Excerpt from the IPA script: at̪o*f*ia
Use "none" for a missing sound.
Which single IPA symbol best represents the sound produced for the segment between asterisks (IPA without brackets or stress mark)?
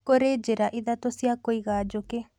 s